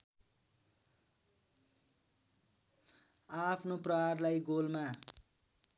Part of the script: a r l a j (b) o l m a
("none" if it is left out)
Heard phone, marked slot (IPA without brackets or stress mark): ɡ